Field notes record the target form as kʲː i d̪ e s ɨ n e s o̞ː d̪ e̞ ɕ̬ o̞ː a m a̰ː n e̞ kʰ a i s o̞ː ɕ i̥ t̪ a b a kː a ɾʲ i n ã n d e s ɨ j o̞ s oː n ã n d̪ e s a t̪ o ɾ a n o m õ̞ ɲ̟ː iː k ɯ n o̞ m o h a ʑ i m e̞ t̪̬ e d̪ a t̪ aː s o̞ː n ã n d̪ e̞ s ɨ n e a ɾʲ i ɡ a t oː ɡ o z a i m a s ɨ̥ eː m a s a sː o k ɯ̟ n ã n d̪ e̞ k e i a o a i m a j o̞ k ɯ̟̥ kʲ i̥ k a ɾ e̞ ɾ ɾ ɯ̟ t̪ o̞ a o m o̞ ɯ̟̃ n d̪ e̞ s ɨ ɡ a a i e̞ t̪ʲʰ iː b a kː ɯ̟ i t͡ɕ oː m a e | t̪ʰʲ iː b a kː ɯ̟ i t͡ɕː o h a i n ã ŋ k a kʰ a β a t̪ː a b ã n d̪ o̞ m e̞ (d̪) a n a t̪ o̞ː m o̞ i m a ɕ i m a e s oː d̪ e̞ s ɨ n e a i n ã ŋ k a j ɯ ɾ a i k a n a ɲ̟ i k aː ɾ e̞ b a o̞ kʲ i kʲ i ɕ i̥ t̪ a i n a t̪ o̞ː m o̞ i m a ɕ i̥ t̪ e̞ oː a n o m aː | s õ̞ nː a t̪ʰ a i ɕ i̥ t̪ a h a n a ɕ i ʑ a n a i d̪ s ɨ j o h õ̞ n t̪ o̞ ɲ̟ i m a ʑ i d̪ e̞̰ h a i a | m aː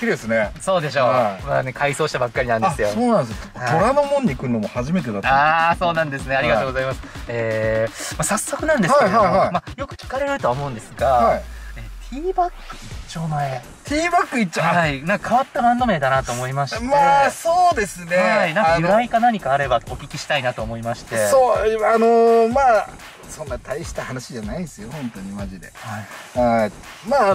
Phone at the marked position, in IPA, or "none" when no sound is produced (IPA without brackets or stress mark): d̪